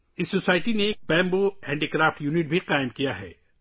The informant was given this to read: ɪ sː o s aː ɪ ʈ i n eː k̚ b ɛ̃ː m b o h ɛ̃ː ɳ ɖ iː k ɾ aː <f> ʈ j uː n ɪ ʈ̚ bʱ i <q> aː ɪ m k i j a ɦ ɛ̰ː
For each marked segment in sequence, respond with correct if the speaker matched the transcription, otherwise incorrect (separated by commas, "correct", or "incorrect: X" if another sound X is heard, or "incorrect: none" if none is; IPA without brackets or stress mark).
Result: correct, correct